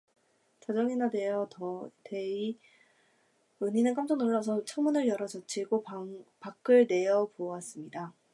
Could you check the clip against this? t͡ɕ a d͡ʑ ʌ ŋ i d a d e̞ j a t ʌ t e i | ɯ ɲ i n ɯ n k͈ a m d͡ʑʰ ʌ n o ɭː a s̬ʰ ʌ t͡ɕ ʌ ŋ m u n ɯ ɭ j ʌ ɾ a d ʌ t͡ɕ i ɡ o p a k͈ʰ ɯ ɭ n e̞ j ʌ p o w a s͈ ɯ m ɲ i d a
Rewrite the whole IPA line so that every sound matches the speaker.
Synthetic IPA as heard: t͡ɕ a d͡ʑ ʌ ŋ i n a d e̞ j ʌ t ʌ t e i | ɯ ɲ i n ɯ n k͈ a m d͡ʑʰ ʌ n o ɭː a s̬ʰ ʌ t͡ɕʰ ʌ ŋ m u n ɯ ɭ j ʌ ɾ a d͡ʑ ʌ t͡ɕʰ i ɡ o p a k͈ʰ ɯ ɭ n e̞ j ʌ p o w a s͈ ɯ m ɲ i d a